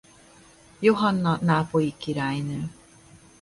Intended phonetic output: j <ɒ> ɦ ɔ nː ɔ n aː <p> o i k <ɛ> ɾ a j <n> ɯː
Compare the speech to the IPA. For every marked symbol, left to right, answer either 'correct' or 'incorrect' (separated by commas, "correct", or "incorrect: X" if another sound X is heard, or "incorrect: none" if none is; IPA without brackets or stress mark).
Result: incorrect: o, correct, incorrect: i, correct